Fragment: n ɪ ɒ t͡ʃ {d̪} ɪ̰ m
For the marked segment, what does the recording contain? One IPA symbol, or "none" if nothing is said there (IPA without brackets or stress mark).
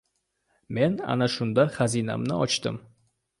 t̪